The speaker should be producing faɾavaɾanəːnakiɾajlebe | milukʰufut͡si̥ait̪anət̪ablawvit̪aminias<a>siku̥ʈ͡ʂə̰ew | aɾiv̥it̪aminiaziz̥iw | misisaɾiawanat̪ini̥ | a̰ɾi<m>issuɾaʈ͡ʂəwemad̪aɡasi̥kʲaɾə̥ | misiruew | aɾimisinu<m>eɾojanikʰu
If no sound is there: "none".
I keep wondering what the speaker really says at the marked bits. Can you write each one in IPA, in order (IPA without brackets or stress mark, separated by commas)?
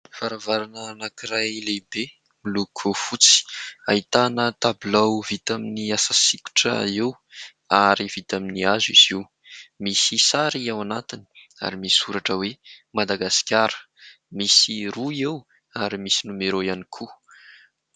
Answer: a, m, m